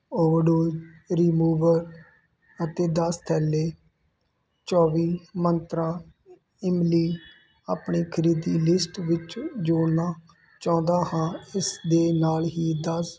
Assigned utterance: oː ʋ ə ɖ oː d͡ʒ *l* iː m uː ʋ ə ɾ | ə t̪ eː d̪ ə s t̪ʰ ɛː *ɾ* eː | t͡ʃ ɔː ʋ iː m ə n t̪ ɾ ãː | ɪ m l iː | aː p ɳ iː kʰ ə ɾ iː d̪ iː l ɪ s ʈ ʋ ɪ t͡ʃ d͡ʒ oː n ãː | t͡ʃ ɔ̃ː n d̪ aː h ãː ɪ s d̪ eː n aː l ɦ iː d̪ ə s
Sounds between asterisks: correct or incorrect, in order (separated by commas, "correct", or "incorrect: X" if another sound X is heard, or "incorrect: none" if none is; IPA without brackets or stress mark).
incorrect: ɾ, incorrect: l